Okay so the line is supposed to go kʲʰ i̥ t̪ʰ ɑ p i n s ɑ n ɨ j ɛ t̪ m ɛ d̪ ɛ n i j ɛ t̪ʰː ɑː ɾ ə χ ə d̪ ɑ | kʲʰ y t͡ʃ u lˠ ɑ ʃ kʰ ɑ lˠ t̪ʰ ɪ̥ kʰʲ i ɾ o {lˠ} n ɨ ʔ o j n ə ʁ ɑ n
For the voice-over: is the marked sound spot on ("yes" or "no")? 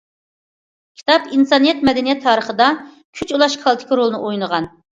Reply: yes